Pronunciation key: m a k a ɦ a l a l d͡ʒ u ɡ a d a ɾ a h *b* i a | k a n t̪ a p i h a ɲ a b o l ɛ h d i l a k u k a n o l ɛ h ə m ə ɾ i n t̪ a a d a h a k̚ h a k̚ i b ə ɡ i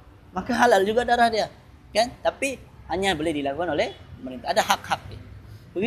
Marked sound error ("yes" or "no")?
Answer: yes